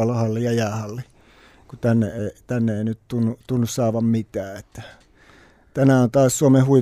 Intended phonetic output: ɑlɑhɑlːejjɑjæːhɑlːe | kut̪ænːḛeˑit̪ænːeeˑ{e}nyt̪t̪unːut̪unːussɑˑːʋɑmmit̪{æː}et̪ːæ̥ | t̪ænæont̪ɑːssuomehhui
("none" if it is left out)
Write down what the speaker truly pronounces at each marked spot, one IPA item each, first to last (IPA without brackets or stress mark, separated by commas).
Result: i, æː